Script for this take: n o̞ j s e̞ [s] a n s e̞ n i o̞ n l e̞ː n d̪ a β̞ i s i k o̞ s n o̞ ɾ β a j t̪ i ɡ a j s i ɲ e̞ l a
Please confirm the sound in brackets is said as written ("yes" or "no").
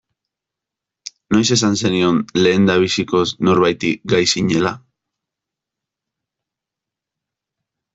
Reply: yes